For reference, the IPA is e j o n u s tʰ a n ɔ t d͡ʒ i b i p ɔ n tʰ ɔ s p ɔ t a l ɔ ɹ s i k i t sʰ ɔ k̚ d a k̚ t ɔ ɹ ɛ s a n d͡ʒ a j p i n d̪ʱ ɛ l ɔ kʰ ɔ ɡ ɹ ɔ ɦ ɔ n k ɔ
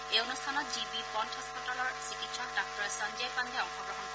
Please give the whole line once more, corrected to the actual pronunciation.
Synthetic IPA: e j o n u s tʰ a n ɔ t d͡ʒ i b i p ɔ n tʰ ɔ s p ɔ t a l ɔ ɹ s i k i t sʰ ɔ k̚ d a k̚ t ɔ ɹ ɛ s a n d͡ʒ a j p a n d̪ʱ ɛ ɔ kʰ ɔ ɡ ɹ ɔ ɦ ɔ n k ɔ